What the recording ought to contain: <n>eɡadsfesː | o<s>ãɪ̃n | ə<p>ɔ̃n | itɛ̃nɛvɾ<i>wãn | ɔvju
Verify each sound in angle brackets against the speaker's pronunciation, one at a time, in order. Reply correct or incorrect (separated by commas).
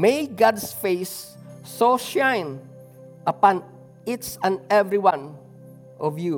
incorrect, incorrect, correct, correct